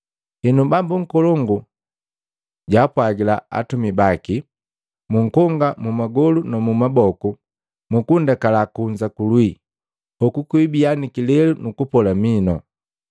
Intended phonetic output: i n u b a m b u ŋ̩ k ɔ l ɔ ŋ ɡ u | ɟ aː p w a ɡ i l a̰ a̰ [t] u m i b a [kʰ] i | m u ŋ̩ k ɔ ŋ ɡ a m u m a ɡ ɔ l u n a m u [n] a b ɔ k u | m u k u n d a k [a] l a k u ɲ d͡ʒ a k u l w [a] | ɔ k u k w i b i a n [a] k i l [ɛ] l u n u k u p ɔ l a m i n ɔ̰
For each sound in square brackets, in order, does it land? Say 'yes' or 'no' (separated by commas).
yes, no, no, yes, no, no, yes